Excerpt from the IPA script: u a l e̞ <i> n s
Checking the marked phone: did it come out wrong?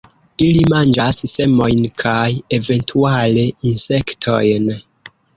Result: no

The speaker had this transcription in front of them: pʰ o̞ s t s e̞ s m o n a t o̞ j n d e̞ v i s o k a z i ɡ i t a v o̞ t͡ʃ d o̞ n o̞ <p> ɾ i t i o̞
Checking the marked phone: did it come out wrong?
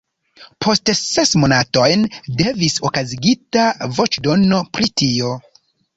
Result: no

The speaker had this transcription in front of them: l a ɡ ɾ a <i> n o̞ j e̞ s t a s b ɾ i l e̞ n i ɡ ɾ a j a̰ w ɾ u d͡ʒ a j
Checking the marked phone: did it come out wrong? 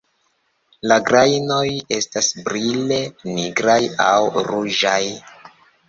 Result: yes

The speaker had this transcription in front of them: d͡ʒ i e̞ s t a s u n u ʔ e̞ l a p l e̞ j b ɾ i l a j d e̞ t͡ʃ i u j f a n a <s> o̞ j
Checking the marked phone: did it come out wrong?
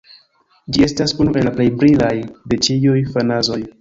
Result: yes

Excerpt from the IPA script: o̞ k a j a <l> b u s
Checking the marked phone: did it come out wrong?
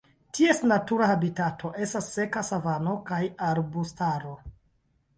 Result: yes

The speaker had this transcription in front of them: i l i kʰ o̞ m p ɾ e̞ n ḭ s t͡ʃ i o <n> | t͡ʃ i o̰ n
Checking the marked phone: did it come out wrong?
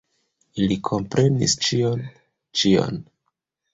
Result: no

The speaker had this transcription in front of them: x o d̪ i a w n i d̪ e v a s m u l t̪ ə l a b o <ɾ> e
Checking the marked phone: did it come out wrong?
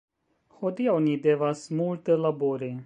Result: no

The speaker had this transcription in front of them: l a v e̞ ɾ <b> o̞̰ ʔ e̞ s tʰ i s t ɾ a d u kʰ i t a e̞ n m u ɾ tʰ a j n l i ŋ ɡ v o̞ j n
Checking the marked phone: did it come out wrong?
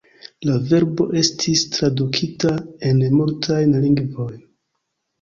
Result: no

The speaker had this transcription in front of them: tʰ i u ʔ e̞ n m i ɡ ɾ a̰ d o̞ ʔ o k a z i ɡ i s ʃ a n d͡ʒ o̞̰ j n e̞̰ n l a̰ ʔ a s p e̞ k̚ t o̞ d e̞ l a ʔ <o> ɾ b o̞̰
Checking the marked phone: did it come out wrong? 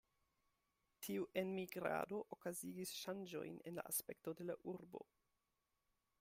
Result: yes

